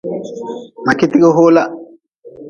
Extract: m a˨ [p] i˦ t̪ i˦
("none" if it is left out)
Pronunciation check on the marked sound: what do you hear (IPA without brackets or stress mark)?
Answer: k